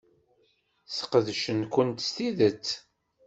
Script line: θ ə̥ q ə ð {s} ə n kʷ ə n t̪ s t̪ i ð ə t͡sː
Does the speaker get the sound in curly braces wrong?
yes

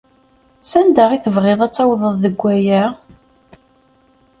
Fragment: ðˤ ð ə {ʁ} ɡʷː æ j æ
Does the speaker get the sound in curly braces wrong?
yes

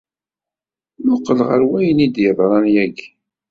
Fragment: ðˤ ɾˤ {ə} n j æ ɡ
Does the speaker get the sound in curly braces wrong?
yes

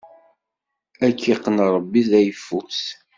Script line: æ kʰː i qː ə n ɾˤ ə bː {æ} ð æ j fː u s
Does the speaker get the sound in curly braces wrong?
yes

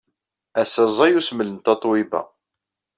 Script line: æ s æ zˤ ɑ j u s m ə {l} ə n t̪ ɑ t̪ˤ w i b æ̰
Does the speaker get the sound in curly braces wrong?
no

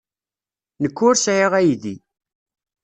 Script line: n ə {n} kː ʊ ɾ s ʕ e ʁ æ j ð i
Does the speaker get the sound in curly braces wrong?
yes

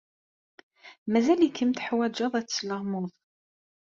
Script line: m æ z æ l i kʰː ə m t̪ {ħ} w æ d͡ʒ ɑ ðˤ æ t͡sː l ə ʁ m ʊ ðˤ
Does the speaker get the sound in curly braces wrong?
no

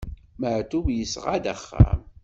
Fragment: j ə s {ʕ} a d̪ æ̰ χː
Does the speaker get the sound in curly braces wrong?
yes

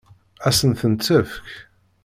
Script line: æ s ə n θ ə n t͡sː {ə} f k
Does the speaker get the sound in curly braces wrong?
no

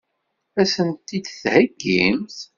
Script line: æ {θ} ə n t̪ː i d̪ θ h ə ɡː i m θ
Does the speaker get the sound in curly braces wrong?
yes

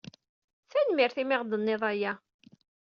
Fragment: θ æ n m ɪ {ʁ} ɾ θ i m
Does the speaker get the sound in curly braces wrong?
yes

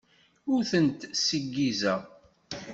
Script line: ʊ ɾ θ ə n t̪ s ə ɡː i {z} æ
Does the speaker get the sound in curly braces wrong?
no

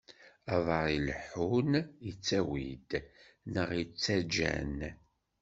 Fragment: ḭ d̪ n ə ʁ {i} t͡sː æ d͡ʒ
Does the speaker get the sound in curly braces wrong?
no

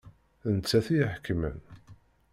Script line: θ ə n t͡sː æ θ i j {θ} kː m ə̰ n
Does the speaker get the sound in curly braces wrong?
yes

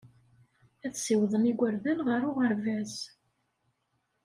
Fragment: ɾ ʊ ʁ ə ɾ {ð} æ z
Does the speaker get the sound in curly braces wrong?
yes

